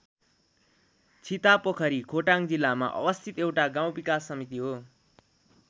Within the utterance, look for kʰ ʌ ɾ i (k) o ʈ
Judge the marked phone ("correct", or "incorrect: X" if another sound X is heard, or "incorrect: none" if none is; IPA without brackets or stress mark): incorrect: kʰ